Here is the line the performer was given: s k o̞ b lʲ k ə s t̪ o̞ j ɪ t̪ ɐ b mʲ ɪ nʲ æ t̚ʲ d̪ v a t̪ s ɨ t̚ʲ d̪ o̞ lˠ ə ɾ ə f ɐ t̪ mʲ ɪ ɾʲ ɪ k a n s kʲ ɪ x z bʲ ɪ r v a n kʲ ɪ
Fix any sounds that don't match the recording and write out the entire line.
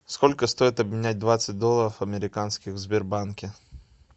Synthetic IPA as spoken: s k o̞ lʲ k ə s t̪ o̞ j ɪ t̪ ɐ b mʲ ɪ nʲ æ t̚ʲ d̪ v a t̪ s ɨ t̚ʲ d̪ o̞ lˠ ə ɾ ə f ɐ mʲ ɪ ɾʲ ɪ k a n s kʲ ɪ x z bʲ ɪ r b a n kʲ ɪ